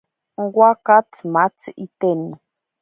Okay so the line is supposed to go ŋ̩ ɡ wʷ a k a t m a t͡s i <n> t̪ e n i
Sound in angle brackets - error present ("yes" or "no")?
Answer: yes